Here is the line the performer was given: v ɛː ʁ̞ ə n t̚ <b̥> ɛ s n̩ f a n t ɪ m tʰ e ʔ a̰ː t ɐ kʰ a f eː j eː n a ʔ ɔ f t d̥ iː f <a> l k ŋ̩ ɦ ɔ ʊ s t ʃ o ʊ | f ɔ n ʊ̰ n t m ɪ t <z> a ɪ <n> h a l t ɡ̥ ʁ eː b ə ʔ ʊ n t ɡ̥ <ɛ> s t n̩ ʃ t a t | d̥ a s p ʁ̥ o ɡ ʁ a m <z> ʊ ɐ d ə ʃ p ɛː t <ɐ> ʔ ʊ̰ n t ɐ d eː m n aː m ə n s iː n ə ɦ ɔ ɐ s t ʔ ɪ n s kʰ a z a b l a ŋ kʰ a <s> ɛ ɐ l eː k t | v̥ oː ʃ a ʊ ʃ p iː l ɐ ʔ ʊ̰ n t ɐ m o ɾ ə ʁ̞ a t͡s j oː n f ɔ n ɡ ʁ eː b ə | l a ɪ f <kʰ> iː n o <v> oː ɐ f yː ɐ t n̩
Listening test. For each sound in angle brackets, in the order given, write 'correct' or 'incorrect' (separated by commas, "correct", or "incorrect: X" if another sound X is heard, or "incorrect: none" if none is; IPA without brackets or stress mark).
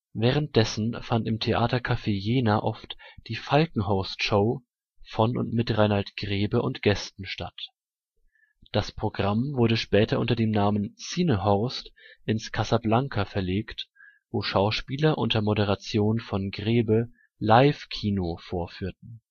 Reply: incorrect: d̥, correct, incorrect: ʁ, correct, correct, incorrect: v, correct, incorrect: f, correct, incorrect: f